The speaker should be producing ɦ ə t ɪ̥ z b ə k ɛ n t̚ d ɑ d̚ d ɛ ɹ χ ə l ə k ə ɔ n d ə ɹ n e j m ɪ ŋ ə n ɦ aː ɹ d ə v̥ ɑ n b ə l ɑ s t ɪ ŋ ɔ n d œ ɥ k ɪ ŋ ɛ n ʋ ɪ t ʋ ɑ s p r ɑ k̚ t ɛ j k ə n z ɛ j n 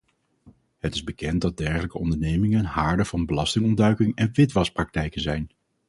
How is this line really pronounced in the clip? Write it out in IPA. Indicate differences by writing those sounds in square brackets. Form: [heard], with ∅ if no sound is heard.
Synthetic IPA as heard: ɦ ə t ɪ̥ z b ə k ɛ n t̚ d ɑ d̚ d ɛ ɹ χ ə l ə k ə ɔ n d ə ɹ n e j m ɪ ŋ ə n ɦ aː ɹ d ə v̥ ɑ n b ə l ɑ s t ɪ ŋ ɔ n d œ ɥ k ɪ ŋ ɛ n ʋ ɪ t ʋ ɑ s p r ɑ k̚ t ɛ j k ə n z ɛ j n

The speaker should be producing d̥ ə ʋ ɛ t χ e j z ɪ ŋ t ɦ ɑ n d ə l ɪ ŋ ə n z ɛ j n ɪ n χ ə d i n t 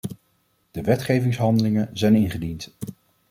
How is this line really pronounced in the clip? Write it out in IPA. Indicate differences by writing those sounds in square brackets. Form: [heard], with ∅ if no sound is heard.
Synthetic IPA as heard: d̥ ə ʋ ɛ t χ e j [v] ɪ ŋ [s] ɦ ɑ n d ə l ɪ ŋ ə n z ɛ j n ɪ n χ ə d i n t

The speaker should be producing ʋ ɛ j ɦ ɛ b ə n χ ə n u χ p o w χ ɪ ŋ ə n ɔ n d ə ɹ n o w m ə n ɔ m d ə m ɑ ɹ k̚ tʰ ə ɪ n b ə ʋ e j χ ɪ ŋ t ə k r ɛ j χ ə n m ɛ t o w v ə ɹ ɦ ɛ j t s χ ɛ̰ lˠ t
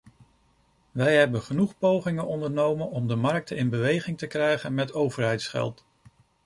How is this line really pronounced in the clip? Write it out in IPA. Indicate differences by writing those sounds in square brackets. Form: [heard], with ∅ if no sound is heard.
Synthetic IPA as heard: ʋ ɛ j ɦ ɛ b ə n χ ə n u χ p o w χ ɪ ŋ ə n ɔ n d ə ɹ n o w m ə n ɔ m d ə m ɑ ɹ k̚ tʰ ə ɪ n b ə ʋ e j χ ɪ ŋ t ə k r ɛ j χ ə n m ɛ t o w v ə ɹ ɦ ɛ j t s χ ɛ̰ lˠ t

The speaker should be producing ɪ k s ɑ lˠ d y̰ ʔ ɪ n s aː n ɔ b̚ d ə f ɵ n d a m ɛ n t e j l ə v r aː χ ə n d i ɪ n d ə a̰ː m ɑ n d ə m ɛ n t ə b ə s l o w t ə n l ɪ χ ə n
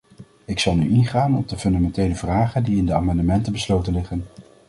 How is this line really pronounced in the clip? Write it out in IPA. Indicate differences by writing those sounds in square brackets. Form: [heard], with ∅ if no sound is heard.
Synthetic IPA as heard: ɪ k s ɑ lˠ [n] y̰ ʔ ɪ n [χ] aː n ɔ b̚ d ə f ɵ n d a m ɛ n t e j l ə v r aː χ ə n d i ɪ n d ə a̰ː m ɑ n d ə m ɛ n t ə b ə s l o w t ə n l ɪ χ ə n

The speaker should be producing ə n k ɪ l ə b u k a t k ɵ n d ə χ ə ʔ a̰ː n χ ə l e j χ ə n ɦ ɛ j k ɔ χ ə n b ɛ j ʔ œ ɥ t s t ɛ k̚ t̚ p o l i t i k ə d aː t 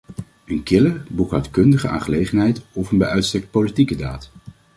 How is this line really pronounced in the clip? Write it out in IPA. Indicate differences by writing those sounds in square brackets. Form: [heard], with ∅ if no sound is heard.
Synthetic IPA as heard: ə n k ɪ l ə b u k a t k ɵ n d ə χ ə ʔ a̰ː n χ ə l e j χ ə n ɦ ɛ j [t] ɔ [f] ə n b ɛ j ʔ œ ɥ t s t ɛ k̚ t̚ p o l i t i k ə d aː t

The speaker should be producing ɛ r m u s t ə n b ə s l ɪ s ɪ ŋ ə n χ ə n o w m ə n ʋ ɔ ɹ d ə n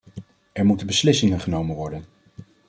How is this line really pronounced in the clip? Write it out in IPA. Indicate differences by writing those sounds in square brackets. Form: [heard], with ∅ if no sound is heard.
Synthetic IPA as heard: ɛ [ɹ] m u [∅] t ə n b ə s l ɪ s ɪ ŋ ə n χ ə n o w m ə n ʋ ɔ ɹ d ə n

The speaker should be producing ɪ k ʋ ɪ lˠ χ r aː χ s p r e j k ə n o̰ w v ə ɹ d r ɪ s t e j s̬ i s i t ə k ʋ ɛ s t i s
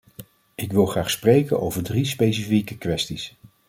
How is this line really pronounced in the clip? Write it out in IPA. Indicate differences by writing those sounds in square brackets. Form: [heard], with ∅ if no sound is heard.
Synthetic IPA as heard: ɪ k ʋ ɪ lˠ χ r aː χ s p r e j k ə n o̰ w v ə ɹ d r [i] s [p] e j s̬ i [f] i [k] ə k ʋ ɛ s t i s

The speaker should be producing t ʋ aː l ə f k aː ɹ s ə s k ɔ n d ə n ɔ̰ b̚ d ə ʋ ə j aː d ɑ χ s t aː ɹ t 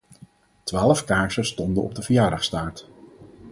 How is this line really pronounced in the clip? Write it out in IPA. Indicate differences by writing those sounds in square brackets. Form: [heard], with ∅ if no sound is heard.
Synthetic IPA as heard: t ʋ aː l ə f k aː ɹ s ə s [t] ɔ n d ə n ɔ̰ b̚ d ə [v] ə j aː d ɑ χ s t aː ɹ t

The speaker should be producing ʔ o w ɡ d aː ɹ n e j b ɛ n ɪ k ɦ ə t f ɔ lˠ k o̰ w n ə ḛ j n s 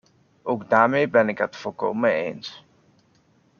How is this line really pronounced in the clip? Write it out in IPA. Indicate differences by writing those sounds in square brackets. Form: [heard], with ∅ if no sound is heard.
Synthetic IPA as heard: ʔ o w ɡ d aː ɹ [m] e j b ɛ n ɪ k ɦ ə t f ɔ lˠ k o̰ w [m] ə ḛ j n s

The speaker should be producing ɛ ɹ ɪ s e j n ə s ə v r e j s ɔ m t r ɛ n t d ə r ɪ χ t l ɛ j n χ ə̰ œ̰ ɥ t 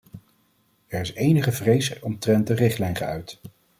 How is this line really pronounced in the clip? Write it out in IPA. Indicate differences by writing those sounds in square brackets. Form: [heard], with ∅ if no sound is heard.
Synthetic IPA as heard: ɛ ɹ ɪ s e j n ə [χ] ə v r e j s ɔ m t r ɛ n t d ə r ɪ χ t l ɛ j n χ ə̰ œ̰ ɥ t

